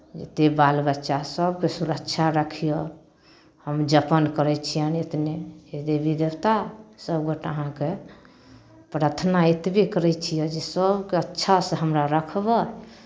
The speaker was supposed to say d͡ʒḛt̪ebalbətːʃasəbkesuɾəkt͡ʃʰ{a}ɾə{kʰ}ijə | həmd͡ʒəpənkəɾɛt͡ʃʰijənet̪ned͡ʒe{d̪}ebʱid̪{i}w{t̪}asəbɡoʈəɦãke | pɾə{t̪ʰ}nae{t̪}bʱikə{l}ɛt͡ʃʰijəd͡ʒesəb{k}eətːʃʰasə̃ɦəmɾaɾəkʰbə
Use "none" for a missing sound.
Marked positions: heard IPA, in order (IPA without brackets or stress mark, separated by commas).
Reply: a, kʰ, d̪, e, t̪, t̪ʰ, t̪, ɾ, k